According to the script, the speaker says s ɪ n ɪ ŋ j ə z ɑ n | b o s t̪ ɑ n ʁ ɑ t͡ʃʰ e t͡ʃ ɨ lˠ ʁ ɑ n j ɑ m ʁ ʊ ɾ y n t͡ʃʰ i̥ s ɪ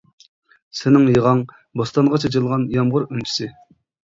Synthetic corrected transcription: s ɪ n ɪ ŋ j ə ʁ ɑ ŋ | b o s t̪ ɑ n ʁ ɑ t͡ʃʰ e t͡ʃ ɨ lˠ ʁ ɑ n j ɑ m ʁ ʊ ɾ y n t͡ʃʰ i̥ s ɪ